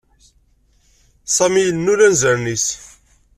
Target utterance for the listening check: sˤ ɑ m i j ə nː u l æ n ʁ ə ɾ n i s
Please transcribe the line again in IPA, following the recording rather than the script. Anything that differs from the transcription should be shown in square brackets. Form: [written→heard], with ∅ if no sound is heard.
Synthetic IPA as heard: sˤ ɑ m i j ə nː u l æ n [ʁ→z] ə ɾ n i s